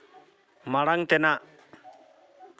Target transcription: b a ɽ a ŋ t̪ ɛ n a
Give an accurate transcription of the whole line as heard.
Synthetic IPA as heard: m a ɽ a ŋ t̪ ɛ n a

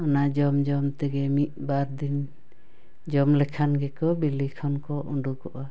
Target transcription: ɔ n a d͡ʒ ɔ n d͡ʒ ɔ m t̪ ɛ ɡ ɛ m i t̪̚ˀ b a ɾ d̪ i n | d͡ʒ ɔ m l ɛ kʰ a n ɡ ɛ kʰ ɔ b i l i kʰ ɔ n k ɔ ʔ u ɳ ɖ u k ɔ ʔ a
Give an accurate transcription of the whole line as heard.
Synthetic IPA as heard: ɔ n a d͡ʒ ɔ m d͡ʒ ɔ m t̪ ɛ ɡ ɛ m i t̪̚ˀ b a ɾ d̪ i n | d͡ʒ ɔ m l ɛ kʰ a n ɡ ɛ k ɔ b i l i kʰ ɔ n k ɔ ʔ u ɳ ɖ u k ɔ ʔ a

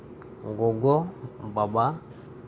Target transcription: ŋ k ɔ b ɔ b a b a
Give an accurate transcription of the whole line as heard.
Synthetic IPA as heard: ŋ ɡ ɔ ɡ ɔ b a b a

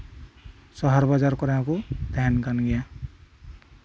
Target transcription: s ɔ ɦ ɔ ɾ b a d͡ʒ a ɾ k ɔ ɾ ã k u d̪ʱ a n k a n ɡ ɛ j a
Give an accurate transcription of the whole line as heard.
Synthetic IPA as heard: s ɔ ɦ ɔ ɾ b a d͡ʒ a ɾ k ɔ ɾ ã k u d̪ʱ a n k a n ɡ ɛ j a

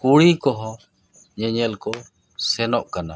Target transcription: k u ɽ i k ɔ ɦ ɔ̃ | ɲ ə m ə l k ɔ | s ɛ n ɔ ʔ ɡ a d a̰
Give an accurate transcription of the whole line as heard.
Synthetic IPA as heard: k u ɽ i k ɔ ɦ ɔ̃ | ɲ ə ɲ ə l k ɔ | s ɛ n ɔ ʔ k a n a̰

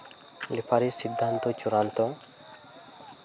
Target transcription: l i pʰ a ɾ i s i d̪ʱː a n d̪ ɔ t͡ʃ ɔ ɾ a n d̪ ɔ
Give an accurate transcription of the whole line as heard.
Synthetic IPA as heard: l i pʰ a ɾ i s i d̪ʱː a n t̪ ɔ t͡ʃ u ɾ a n t̪ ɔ

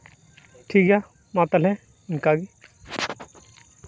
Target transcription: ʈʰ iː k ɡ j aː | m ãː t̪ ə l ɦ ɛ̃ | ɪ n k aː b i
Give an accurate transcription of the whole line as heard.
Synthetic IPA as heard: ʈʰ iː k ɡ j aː | m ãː t̪ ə l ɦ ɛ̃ | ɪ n k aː ɡ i

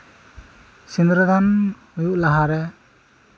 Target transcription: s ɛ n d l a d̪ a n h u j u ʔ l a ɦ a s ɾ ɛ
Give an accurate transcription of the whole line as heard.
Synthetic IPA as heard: s i n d ɾ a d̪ a n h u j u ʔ l a ɦ a ɾ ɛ

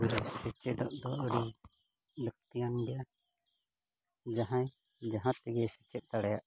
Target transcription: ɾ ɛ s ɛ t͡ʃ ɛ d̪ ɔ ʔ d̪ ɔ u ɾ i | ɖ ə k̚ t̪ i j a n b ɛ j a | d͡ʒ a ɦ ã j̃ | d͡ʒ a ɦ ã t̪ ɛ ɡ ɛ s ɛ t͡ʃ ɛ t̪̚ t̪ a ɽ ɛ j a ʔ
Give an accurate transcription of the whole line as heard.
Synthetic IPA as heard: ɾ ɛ s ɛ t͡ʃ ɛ d̪ ɔ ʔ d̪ ɔ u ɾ i | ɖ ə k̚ t̪ i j a n b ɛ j a | d͡ʒ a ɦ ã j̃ | d͡ʒ a ɦ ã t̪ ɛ ɡ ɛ s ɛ t͡ʃ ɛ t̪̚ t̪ a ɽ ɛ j a ʔ

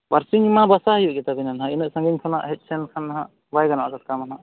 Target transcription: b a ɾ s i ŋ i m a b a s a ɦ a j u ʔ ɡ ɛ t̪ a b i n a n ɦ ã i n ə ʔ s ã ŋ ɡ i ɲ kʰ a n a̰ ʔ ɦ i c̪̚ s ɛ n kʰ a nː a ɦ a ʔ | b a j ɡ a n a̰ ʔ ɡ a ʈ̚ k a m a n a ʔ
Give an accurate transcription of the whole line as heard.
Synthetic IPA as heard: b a ɾ s i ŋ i m a b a s a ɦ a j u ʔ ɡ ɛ t̪ a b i n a n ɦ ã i n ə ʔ s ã ŋ ɡ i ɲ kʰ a n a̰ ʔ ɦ ɛ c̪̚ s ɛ n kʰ a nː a ɦ a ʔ | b a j ɡ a n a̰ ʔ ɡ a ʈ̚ k a m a n a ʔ

